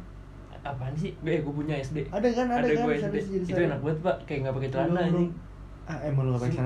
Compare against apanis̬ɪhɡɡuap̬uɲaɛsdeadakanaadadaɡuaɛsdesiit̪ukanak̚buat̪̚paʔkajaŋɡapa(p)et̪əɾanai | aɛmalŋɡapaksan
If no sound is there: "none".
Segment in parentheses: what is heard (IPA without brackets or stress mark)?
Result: k